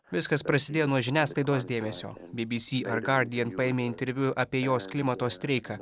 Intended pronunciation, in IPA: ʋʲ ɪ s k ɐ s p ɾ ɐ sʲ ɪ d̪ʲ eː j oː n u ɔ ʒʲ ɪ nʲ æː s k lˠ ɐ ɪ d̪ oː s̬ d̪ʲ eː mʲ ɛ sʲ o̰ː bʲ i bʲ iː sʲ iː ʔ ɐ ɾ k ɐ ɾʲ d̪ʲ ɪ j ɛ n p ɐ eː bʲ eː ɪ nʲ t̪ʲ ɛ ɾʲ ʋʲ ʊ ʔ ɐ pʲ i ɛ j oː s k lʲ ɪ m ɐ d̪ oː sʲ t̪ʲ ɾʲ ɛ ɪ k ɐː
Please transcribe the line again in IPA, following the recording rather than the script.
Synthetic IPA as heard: ʋʲ ɪ s k ɐ s p ɾ ɐ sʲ ɪ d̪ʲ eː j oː n u ɔ ʒʲ ɪ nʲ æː s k lˠ ɐ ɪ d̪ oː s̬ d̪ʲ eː mʲ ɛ sʲ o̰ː bʲ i bʲ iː sʲ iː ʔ ɐ ɾ ɡ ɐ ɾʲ d̪ʲ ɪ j ɛ n p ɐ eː mʲ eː ɪ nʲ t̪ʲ ɛ ɾʲ ʋʲ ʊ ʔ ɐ pʲ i ɛ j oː s k lʲ ɪ m ɐ t̪ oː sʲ t̪ʲ ɾʲ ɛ ɪ k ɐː